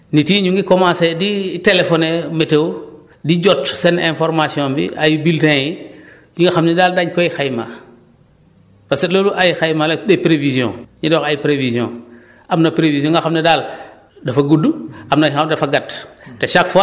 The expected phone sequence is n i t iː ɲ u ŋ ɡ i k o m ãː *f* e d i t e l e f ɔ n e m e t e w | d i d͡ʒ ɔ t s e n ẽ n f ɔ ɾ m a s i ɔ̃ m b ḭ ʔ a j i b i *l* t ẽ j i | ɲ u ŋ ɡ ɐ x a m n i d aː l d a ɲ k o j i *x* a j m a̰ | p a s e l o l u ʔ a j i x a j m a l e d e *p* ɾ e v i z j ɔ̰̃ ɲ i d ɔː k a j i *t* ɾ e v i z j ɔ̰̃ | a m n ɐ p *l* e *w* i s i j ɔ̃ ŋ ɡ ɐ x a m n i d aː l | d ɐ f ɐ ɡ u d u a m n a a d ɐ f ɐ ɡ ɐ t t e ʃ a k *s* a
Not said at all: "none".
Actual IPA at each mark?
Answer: s, l, x, p, p, ɾ, v, f

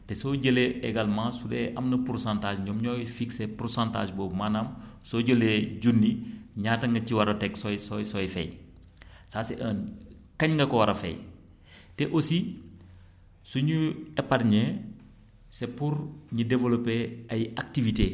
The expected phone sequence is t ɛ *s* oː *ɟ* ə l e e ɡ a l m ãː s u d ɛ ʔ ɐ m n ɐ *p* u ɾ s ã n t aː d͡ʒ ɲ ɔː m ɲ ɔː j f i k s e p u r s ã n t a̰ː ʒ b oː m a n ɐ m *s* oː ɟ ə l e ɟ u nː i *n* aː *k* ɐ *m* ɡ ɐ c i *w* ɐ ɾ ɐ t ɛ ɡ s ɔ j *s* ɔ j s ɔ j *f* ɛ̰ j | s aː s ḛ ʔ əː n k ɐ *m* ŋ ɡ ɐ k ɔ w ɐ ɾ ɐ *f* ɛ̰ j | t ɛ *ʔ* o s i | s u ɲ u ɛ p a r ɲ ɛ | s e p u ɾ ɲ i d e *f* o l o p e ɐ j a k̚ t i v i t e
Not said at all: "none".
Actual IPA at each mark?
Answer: s, ɟ, p, s, ɲ, t, ŋ, w, s, f, ɲ, f, ʔ, v

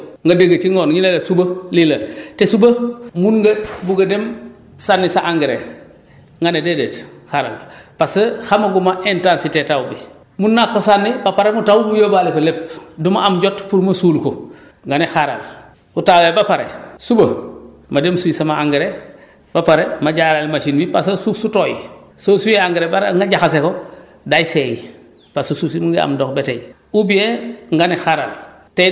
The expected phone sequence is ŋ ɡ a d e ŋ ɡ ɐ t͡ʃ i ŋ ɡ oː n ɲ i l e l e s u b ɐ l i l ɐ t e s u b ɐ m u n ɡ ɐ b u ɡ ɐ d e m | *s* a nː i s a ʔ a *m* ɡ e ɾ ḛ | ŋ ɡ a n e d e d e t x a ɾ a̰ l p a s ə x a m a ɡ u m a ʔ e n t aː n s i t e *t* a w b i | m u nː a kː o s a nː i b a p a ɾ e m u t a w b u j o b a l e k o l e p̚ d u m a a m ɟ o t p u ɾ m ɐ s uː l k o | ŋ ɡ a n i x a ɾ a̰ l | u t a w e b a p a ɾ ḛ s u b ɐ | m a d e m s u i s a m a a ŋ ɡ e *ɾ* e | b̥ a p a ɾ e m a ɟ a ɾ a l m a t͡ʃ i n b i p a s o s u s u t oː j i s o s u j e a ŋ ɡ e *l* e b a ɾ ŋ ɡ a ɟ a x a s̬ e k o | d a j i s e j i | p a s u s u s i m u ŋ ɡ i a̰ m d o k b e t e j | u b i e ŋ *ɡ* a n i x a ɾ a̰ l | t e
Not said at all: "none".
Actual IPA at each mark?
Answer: s, ŋ, t, ɾ, ɾ, ɡ

